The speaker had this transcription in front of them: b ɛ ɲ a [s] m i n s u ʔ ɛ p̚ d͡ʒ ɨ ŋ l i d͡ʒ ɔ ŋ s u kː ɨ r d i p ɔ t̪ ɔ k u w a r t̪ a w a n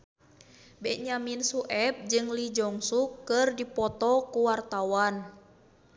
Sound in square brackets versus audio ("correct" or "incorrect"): incorrect